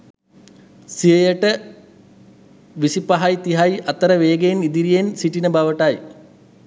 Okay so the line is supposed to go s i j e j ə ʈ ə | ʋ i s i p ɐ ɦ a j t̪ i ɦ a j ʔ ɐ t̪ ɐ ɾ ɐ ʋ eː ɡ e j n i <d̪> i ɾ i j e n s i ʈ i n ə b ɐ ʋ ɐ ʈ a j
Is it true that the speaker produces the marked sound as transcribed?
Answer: yes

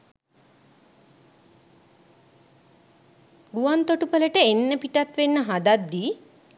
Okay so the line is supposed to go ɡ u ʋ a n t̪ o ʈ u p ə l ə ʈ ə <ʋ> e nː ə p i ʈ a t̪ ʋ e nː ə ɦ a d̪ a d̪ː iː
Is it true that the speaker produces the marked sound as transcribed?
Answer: no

